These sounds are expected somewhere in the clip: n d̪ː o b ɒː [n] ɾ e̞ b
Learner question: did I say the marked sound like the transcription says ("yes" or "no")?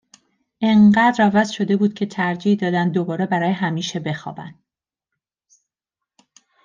no